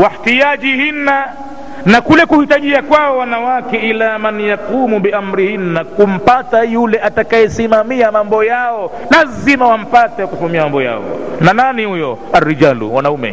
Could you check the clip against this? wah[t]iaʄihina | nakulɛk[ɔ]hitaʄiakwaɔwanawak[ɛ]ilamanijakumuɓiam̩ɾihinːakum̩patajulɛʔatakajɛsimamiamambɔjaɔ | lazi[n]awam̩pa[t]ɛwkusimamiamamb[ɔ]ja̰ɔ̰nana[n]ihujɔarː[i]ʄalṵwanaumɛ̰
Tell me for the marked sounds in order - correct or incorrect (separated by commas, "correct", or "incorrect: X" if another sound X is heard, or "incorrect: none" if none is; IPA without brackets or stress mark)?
correct, incorrect: u, correct, incorrect: m, correct, correct, correct, correct